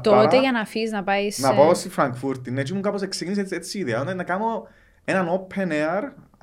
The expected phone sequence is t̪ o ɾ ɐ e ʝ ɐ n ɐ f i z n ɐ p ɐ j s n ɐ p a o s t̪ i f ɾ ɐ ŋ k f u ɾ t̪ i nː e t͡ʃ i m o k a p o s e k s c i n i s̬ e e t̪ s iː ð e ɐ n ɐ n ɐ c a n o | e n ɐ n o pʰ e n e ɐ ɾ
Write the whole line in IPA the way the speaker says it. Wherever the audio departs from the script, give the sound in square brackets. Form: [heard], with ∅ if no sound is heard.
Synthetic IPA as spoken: t̪ o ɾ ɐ e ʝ ɐ n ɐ f i z n ɐ p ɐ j s n ɐ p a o s t̪ i f ɾ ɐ ŋ k f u ɾ t̪ i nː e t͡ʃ i m [u] k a p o s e k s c i n i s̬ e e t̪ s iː ð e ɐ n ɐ n ɐ [k] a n o | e n ɐ n o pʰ e n e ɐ ɾ